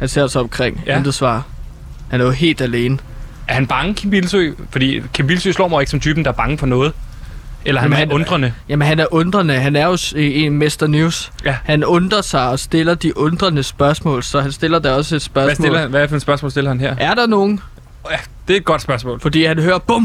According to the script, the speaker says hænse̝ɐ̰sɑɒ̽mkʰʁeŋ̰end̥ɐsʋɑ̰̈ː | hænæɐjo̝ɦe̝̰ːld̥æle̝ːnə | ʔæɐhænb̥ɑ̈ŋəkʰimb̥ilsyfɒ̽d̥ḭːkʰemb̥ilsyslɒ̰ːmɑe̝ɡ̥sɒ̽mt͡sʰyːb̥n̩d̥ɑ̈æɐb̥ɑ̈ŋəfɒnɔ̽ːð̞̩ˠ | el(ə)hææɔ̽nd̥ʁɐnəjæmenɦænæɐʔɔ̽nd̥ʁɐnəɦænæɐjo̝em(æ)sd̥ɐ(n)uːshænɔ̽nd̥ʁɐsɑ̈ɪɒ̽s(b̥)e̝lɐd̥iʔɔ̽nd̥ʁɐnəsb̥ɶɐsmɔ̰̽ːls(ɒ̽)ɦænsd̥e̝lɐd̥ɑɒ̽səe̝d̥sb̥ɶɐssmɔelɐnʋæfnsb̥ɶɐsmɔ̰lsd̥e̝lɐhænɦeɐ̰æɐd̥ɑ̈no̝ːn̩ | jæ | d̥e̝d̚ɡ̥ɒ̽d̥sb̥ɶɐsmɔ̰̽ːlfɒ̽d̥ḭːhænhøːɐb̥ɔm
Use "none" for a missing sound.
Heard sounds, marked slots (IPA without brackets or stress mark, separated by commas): ɐ, e, n, d̥, ɒ̽